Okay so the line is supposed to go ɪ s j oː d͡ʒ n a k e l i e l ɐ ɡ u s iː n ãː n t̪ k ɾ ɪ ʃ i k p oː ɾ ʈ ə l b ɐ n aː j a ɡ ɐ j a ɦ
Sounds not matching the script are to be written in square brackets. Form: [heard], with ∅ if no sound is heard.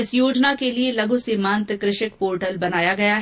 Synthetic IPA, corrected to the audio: ɪ s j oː d͡ʒ n a k e l i e l ɐ ɡ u s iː [m] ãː n t̪ k ɾ ɪ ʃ [ɪ] k p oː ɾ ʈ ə l b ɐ n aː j a ɡ ɐ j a ɦ